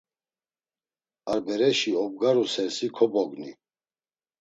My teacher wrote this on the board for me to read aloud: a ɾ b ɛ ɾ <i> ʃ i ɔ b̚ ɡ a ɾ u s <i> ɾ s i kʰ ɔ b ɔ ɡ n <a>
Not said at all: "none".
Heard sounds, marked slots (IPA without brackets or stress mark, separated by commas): ɛ, ɛ, i